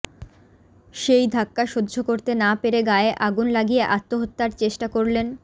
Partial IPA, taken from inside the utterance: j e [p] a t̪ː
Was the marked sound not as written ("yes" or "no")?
yes